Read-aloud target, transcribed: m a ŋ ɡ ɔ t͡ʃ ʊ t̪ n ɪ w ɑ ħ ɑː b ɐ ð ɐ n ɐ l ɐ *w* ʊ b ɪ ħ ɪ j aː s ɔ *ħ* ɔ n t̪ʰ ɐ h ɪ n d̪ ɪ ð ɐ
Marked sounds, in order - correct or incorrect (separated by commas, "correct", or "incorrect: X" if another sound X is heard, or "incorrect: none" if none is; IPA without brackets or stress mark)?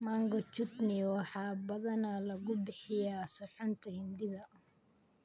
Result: incorrect: ɣ, correct